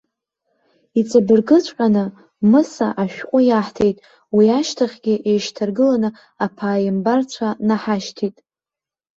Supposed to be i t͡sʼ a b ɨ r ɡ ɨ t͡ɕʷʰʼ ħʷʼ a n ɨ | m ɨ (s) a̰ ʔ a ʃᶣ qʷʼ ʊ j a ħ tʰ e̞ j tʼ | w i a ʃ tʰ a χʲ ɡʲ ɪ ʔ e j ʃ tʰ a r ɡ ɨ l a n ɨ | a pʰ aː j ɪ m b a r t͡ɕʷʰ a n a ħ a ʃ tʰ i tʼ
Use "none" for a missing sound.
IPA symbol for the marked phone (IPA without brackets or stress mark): s